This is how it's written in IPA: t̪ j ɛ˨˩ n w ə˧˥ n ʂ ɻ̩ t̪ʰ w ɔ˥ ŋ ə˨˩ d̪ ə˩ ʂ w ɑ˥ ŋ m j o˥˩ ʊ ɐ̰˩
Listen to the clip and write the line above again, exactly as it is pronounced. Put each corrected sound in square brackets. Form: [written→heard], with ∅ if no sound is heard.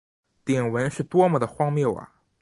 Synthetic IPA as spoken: t̪ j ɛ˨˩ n w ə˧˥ n ʂ ɻ̩ [t̪ʰ→t̪] w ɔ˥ [ŋ→m] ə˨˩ d̪ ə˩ [ʂ→x] w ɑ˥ ŋ m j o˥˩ ʊ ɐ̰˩